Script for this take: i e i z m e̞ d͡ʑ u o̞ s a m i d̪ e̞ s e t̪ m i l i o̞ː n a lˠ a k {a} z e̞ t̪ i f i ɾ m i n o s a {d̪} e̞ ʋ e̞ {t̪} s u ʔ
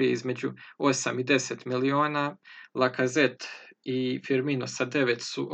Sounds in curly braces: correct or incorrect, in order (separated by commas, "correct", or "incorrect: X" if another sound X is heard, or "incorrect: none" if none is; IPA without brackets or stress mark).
correct, correct, correct